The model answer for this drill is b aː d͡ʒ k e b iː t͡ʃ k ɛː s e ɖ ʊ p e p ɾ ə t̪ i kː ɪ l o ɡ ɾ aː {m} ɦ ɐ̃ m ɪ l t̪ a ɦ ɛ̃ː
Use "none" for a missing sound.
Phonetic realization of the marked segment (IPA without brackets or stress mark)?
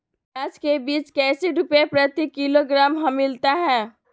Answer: m